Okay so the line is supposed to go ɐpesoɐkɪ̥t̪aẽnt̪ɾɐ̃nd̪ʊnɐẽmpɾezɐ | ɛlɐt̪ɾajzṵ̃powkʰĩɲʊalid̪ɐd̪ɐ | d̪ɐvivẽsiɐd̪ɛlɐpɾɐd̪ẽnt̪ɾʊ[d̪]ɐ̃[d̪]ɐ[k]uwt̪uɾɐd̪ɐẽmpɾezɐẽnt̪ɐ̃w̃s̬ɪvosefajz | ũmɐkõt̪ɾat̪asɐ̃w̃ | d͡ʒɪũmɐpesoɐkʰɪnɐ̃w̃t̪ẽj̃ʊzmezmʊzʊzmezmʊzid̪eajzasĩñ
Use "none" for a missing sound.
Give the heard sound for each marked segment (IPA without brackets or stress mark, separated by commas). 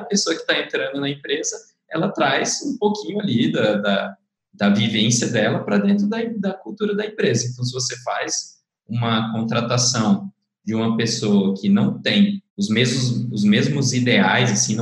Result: d̪, d̪, k